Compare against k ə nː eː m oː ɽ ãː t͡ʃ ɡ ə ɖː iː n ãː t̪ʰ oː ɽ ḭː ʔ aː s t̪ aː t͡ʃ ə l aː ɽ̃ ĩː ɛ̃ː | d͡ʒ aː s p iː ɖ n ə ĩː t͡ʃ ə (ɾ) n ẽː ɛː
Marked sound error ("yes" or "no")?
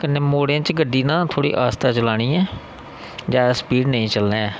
yes